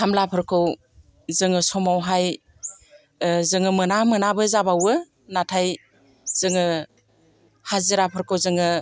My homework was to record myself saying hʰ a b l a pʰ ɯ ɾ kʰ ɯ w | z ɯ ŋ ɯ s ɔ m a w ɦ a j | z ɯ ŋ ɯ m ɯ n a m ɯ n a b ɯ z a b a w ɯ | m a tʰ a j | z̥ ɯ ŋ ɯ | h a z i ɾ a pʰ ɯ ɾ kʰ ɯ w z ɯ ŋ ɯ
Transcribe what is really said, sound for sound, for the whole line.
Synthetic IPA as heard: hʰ a m l a pʰ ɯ ɾ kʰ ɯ w | z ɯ ŋ ɯ s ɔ m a w ɦ a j | z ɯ ŋ ɯ m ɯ n a m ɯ n a b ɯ z a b a w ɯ | n a tʰ a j | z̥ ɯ ŋ ɯ | h a z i ɾ a pʰ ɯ ɾ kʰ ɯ w z ɯ ŋ ɯ